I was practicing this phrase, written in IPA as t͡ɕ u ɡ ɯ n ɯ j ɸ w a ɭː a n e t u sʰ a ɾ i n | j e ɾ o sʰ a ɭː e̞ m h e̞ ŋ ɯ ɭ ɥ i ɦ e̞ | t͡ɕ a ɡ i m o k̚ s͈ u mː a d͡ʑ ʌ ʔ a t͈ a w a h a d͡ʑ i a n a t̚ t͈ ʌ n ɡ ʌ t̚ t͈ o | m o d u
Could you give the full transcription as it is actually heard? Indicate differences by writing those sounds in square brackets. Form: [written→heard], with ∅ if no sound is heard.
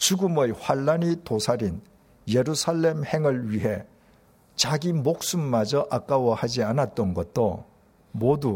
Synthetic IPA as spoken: t͡ɕ u ɡ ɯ [n→m] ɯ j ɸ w a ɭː a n [e→i] t [u→o] sʰ a ɾ i n | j e ɾ [o→u] sʰ a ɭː e̞ m h e̞ ŋ ɯ ɭ ɥ i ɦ e̞ | t͡ɕ a ɡ i m o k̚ s͈ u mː a d͡ʑ ʌ ʔ a [t͈→k͈] a w [a→ʌ] h a d͡ʑ i a n a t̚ t͈ ʌ n ɡ ʌ t̚ t͈ o | m o d u